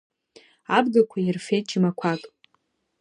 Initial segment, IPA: a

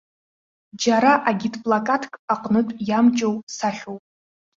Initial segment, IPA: d͡ʒ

